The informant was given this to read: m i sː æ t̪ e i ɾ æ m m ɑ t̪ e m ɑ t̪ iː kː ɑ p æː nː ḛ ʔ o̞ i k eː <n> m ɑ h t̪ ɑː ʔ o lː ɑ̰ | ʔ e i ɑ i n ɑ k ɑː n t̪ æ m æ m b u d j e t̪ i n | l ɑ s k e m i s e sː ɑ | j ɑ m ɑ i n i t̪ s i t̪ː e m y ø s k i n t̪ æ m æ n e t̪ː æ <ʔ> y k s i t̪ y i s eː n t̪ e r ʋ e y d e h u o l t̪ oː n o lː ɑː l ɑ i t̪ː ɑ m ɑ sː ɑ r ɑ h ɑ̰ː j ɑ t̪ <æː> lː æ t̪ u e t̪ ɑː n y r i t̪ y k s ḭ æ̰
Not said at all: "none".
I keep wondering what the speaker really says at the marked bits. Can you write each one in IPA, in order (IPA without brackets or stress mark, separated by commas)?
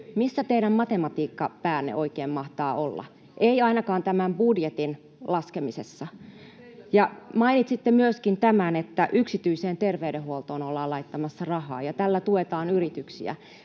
m, ʔ, æ